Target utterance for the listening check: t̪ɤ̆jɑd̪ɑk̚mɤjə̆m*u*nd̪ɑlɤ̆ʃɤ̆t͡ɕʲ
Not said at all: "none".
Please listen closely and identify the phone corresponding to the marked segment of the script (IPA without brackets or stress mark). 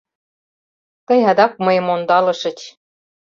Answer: o